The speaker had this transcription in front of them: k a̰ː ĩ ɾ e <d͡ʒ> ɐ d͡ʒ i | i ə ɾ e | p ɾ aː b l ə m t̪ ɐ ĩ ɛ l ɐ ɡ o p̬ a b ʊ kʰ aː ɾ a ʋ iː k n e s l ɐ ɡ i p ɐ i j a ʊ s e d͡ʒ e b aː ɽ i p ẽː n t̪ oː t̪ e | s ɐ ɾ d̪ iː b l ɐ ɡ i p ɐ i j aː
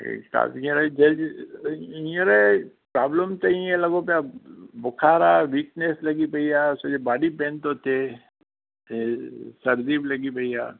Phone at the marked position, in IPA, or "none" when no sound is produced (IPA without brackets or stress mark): d͡ʒ